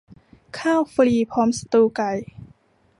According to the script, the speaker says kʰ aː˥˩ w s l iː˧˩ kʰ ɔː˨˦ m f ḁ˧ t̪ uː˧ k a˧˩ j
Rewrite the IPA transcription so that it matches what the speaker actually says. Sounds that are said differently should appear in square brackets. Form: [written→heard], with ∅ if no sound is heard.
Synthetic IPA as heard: kʰ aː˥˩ w [s→f] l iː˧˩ [kʰ→pʰ] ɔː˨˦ m [f→s] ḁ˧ t̪ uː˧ k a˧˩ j